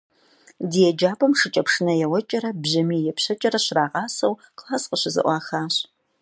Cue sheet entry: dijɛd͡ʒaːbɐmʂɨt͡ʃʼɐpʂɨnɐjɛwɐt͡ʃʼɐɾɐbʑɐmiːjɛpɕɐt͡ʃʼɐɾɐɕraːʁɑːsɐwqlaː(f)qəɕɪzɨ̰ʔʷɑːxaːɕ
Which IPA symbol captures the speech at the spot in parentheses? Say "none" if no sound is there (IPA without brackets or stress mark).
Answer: s